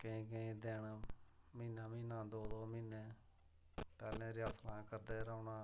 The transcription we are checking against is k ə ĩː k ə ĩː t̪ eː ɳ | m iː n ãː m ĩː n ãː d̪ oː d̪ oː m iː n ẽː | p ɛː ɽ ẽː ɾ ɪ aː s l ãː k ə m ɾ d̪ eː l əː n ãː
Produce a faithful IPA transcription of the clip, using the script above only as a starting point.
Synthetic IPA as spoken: k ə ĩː k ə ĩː d̪ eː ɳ | m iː n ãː m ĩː n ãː d̪ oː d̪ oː m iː n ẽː | p ɛː l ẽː ɾ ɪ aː s l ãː k ə ɾ d̪ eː ɾ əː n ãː